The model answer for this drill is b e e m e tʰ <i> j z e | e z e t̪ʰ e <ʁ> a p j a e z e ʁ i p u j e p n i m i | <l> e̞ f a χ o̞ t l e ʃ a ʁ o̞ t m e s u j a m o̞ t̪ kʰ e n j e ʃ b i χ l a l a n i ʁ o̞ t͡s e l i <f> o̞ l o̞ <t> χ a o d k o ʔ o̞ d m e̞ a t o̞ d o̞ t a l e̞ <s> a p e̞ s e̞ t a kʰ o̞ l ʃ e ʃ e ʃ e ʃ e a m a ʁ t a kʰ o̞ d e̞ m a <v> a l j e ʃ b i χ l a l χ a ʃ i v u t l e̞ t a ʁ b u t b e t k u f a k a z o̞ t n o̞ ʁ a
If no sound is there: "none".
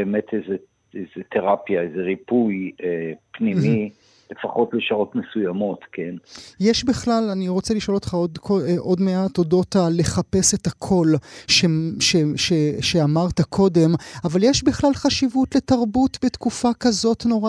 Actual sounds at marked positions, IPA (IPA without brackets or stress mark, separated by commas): e, ʁ, l, ʃ, t, χ, v